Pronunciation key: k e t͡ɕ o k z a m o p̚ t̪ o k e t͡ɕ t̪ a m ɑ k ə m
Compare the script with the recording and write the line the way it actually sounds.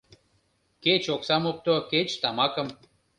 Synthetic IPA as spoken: k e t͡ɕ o k s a m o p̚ t̪ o k e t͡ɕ t̪ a m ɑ k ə m